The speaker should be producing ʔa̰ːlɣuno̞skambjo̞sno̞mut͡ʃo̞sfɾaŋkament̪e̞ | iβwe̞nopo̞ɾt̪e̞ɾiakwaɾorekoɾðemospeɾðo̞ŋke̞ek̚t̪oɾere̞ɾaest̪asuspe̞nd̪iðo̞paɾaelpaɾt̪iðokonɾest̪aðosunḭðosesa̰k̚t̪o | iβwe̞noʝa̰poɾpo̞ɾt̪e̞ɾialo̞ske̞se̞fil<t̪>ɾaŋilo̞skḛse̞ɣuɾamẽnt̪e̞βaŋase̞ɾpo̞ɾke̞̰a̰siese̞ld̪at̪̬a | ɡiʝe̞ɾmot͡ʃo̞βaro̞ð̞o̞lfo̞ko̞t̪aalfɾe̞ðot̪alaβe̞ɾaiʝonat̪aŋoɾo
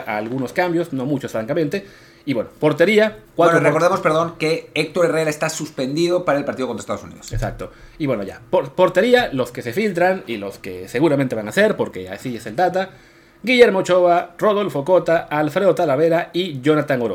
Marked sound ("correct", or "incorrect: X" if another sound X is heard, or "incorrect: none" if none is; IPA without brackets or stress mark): correct